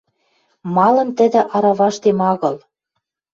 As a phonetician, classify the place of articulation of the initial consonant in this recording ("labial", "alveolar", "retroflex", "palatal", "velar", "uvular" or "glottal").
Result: labial